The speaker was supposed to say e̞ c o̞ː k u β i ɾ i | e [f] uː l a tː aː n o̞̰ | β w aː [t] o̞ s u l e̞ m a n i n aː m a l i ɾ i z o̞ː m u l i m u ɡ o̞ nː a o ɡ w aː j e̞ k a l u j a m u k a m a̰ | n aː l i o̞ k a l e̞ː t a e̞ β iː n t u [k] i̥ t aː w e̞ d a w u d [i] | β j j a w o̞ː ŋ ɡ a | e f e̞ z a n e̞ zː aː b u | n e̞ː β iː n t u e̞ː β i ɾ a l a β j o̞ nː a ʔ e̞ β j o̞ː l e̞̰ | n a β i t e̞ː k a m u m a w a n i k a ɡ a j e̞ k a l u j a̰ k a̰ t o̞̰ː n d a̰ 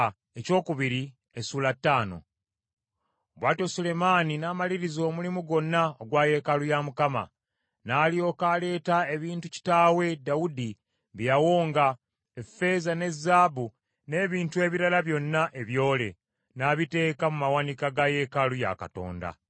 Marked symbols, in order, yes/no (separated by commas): no, yes, no, yes